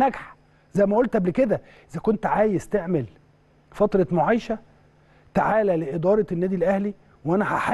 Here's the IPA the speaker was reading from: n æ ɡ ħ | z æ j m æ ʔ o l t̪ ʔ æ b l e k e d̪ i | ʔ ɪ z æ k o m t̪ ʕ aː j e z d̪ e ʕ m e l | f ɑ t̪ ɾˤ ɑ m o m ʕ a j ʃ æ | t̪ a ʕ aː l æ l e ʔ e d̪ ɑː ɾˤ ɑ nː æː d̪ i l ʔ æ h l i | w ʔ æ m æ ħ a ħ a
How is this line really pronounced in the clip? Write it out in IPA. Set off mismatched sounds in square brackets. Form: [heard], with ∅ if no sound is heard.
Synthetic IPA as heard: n æ ɡ ħ | z æ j m æ ʔ o l t̪ ʔ æ b l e k e d̪ [æ] | ʔ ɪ z æ k o [n] t̪ ʕ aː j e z [t̪] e ʕ m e l | f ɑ t̪ ɾˤ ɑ m o [∅] ʕ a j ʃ æ | t̪ a ʕ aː l æ l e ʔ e d̪ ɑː ɾˤ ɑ nː æː d̪ i l ʔ æ h l i | w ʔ æ [n] æ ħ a ħ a